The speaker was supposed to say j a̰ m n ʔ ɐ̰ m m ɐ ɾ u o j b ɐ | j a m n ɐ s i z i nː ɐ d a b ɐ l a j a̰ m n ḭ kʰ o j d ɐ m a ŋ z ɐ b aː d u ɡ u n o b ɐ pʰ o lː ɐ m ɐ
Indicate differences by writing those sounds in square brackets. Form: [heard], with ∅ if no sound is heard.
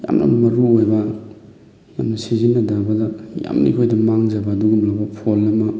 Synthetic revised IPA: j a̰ m n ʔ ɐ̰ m m ɐ ɾ u o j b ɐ | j a m n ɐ s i z i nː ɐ d a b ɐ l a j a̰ m n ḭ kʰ o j d ɐ m a ŋ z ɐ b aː d u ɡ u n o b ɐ pʰ o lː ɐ m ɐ